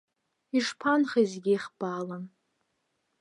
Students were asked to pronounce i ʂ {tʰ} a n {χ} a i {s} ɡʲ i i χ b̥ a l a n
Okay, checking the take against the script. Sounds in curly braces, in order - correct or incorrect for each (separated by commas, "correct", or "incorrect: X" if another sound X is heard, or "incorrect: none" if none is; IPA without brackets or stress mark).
incorrect: pʰ, correct, incorrect: z